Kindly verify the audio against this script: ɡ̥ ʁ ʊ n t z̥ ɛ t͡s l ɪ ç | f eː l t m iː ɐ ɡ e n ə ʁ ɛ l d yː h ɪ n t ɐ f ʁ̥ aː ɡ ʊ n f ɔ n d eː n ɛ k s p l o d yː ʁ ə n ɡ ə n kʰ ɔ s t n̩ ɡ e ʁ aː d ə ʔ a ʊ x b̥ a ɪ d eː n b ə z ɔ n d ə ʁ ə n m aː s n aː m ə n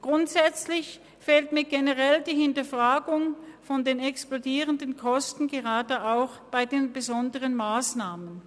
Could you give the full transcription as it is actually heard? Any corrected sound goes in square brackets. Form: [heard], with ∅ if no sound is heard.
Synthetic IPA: ɡ̥ ʁ ʊ n t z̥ ɛ t͡s l ɪ ç | f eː l t m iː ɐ ɡ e n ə ʁ ɛ l d [iː] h ɪ n t ɐ f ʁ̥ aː ɡ ʊ [ŋ] f ɔ n d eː n ɛ k s p l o d [iː] ʁ ə n [d] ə n kʰ ɔ s t n̩ ɡ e ʁ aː d ə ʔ a ʊ x b̥ a ɪ d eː n b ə z ɔ n d ə ʁ ə n m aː s n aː m ə n